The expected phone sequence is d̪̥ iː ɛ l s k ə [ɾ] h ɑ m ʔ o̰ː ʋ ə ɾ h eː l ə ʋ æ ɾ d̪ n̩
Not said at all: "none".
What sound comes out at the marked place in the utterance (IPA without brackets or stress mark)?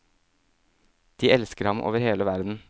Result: ɾ